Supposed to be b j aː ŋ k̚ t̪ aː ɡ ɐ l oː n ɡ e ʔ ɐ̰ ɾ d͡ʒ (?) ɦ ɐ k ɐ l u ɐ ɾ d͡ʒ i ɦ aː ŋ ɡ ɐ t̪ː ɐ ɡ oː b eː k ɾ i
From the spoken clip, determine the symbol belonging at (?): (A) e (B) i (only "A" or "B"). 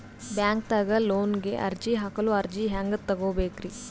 B